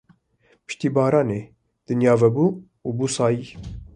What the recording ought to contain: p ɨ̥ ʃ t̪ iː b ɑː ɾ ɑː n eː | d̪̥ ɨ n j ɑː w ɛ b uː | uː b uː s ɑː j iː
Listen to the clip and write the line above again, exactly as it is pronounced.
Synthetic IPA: p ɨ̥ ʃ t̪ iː b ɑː ɾ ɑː n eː | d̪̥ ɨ n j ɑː v ɛ b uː | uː b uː s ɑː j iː